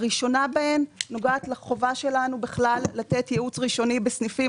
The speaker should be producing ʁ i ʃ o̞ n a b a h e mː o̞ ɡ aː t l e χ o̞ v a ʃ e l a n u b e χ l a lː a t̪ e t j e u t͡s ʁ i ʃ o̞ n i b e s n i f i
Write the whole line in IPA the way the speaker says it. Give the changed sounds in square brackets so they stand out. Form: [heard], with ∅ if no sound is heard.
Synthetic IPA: ʁ i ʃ o̞ n a b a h e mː o̞ ɡ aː t l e χ o̞ v a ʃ e l a n u b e χ l a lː a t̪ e t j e u t͡s ʁ i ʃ o̞ n i b e s n i f i

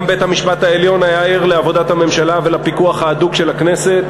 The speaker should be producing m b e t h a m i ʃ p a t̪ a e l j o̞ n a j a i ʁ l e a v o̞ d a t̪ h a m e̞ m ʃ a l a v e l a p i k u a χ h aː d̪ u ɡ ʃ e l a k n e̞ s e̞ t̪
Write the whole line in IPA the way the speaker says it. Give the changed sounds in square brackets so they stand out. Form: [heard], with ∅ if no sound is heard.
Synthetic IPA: m b e t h a m i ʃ p a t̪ a e l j o̞ n a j a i ʁ l e a v o̞ d a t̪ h a m e̞ m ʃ a l a v e l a p i k u a χ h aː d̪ u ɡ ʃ e l a k n e̞ s e̞ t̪

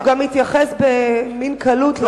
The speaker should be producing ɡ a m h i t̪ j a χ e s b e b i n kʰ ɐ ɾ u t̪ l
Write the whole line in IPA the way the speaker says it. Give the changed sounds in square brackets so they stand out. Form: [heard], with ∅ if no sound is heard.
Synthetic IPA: ɡ a m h i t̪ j a χ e s b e [m] i n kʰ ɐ [l] u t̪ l

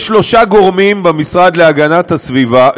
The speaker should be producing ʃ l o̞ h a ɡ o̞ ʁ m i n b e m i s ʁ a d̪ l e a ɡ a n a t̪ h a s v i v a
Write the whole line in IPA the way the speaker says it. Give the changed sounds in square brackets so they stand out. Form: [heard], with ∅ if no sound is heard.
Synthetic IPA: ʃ l o̞ [ʃ] a ɡ o̞ ʁ m i [m] b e m i s ʁ a d̪ l e a ɡ a n a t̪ h a s v i v a

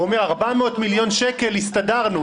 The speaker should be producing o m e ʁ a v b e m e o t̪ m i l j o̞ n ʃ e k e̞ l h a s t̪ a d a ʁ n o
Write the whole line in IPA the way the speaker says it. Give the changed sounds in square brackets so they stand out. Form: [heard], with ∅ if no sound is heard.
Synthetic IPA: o m e ʁ a [ʁ] b [a] m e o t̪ m i l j o̞ n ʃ e k e̞ l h [i] s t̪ a d a ʁ n [u]

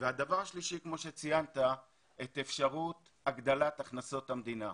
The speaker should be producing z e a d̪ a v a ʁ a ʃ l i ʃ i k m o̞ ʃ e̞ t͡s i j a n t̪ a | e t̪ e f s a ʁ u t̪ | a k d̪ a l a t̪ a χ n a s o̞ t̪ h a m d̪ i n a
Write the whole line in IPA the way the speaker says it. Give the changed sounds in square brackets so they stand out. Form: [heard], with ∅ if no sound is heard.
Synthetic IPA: [v] e a d̪ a v a ʁ a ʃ l i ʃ i k m o̞ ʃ e̞ t͡s i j a n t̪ a | e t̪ e f [ʃ] a ʁ u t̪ | a [ɡ] d̪ a l a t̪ a χ n a s o̞ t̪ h a m d̪ i n a

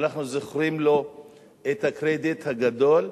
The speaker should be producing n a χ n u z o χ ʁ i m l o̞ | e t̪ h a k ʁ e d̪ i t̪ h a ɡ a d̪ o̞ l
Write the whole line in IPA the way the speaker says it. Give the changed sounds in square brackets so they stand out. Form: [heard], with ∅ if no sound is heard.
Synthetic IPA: n a χ n u z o χ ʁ i m l o̞ | e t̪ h a k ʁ e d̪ i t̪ h a ɡ a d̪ o̞ l

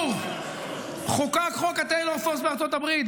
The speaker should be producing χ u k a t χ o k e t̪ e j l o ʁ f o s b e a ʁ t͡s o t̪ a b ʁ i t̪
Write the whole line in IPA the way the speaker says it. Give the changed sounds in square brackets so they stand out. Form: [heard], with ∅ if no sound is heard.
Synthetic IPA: χ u k a [k] χ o k [a] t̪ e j l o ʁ f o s b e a ʁ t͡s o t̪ a b ʁ i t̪

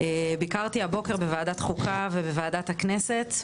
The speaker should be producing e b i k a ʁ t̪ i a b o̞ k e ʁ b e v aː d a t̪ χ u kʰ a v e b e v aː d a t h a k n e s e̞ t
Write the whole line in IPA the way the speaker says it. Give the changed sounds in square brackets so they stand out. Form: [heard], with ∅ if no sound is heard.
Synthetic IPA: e b i k a ʁ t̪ i a b o̞ k e ʁ b e v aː d a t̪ χ u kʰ a v e b e v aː d a t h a k n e s e̞ t

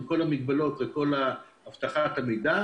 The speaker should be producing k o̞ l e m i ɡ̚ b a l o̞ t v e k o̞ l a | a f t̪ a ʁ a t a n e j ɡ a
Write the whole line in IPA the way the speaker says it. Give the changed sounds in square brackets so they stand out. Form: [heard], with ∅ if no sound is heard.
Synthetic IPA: k o̞ l [a] m i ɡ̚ b a l o̞ t v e k o̞ l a | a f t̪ a [χ] a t a [m] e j [d] a

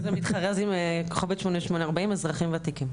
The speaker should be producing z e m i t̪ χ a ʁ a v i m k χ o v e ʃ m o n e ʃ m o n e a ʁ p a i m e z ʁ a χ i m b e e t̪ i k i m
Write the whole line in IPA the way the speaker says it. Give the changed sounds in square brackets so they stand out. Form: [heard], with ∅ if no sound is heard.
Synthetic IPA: z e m i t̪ χ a ʁ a [z] i m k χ o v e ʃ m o n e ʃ m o n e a ʁ [b] a i m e z ʁ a χ i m [v] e [a] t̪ i k i m

